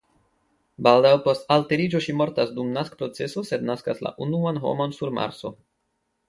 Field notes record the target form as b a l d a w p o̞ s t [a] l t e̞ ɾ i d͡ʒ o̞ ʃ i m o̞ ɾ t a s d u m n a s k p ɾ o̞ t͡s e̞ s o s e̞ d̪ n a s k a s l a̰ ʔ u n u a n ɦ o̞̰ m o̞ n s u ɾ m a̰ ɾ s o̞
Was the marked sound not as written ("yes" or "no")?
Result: no